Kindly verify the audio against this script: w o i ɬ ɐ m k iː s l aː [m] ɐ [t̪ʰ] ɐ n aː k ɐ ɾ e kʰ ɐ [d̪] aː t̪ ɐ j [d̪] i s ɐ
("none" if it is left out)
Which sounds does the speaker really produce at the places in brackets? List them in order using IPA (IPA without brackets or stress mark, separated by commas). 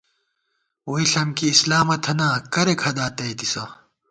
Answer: m, t̪ʰ, d̪, t̪